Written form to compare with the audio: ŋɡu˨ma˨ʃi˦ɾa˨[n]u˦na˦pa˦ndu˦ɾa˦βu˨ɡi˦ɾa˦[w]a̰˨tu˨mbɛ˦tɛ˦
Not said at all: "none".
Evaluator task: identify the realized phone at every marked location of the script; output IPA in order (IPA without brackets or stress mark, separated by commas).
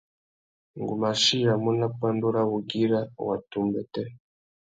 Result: m, w